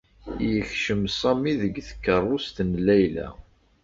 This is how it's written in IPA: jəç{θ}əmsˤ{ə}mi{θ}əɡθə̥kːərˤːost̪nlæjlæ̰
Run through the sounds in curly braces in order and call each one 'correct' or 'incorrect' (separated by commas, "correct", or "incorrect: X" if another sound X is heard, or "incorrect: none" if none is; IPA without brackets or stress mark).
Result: incorrect: ʃ, incorrect: ɑ, incorrect: ð